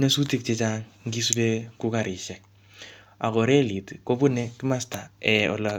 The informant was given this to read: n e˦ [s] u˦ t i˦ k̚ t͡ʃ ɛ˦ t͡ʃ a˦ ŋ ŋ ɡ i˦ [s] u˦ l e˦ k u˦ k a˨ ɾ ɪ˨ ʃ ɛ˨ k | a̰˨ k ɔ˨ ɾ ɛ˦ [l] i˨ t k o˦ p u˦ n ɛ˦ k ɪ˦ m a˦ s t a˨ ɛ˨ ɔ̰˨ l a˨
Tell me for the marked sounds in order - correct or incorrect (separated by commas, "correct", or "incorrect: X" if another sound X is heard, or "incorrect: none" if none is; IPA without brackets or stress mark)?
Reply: correct, correct, correct